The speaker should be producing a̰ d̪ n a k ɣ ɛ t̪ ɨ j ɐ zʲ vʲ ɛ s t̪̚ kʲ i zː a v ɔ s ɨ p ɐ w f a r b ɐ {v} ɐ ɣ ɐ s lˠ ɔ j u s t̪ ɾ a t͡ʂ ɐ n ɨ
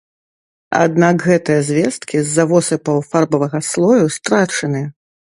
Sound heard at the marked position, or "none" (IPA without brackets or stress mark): v